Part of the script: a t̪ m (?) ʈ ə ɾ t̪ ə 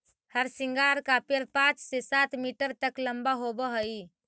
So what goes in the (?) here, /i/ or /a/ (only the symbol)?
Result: i